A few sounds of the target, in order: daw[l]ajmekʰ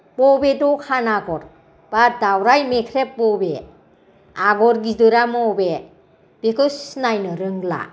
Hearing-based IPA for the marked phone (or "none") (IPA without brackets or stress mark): ɾ